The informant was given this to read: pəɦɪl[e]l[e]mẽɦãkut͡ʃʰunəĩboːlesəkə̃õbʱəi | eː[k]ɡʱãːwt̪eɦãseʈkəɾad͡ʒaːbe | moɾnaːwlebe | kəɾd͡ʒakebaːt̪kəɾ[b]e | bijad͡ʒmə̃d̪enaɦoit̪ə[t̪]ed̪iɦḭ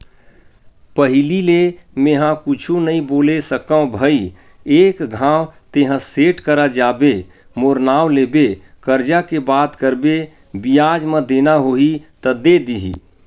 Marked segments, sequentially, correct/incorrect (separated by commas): incorrect, correct, correct, correct, incorrect